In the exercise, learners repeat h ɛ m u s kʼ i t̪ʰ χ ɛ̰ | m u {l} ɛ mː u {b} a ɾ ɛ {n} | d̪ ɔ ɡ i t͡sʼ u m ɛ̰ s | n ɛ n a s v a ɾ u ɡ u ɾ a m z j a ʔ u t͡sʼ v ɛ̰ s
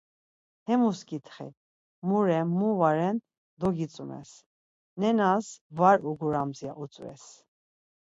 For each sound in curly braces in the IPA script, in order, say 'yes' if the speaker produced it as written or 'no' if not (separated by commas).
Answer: no, no, yes